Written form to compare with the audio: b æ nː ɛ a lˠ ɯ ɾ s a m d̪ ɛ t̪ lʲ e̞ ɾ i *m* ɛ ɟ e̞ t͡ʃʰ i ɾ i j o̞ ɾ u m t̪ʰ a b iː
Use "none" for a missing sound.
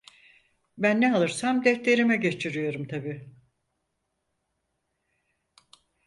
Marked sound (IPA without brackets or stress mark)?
m